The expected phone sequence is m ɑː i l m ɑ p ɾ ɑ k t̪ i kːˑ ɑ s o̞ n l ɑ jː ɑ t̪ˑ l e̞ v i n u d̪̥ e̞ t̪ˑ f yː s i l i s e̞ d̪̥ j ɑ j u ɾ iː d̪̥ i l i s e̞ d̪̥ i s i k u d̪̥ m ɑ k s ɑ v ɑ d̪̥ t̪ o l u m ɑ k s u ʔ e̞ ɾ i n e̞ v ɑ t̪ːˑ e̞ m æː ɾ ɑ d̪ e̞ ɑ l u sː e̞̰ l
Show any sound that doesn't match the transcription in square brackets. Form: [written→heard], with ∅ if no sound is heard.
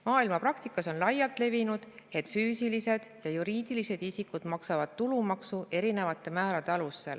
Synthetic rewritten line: m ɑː i l m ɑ p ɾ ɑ k t̪ i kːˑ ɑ s o̞ n l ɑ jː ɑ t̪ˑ l e̞ v i n u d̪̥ e̞ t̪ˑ f yː s i l i s e̞ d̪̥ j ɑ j u ɾ iː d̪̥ i l i s e̞ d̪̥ i s i k u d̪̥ m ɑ k s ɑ v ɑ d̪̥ t̪ [o→u] l u m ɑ k s u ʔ e̞ ɾ i n e̞ v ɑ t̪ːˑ e̞ m æː ɾ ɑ d̪ e̞ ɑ l u sː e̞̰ l